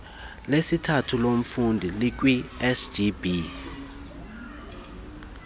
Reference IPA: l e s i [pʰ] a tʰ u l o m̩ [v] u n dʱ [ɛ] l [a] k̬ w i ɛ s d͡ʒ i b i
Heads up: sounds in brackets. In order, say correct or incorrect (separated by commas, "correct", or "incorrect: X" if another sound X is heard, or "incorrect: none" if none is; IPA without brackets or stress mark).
incorrect: tʰ, incorrect: f, incorrect: i, incorrect: i